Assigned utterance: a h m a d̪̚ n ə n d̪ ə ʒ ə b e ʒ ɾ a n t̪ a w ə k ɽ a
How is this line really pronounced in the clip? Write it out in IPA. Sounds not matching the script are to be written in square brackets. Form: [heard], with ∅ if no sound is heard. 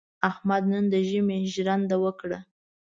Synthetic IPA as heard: a h m a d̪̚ n ə n d̪ ə ʒ ə [m] e ʒ ɾ a n [d̪] a w ə k ɽ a